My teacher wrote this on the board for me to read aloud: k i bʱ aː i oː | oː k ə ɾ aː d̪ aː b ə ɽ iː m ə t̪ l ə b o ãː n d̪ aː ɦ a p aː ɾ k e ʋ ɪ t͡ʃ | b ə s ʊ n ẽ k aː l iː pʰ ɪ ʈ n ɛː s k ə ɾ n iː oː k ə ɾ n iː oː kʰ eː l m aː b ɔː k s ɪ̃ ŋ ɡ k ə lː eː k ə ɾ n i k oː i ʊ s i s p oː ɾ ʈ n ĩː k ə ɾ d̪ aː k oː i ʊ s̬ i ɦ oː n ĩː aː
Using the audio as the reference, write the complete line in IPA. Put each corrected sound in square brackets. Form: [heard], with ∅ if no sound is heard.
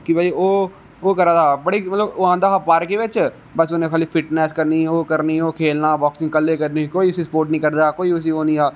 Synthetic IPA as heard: k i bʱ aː i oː | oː k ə ɾ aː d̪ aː b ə ɽ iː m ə t̪ l ə b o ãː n d̪ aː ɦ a p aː ɾ k e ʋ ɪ t͡ʃ | b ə s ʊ n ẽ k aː l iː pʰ ɪ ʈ n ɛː s k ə ɾ n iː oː k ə ɾ n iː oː kʰ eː l [n] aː b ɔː k s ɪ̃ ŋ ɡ k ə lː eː k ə ɾ n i k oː i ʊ s i s p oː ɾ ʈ n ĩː k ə ɾ d̪ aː k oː i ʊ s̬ i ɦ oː n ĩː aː